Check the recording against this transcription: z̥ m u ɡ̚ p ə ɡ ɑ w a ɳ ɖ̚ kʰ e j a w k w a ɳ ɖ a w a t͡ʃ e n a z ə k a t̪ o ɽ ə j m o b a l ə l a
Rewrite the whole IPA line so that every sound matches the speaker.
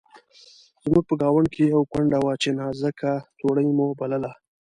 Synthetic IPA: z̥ m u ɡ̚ p ə ɡ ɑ w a ɳ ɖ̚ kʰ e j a w k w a ɳ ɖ a w a t͡ʃ e n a z ə k a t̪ o ɽ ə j m o b a l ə l a